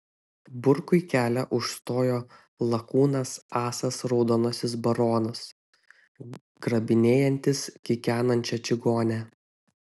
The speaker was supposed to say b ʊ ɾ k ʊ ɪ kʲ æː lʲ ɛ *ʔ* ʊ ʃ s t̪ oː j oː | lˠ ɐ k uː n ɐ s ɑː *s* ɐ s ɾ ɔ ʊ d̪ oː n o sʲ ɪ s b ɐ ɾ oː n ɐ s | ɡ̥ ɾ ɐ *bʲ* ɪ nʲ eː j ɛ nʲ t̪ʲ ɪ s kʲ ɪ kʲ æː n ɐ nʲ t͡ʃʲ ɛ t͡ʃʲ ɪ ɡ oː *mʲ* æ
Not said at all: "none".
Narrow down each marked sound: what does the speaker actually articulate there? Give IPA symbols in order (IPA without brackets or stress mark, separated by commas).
ʔ, s, bʲ, nʲ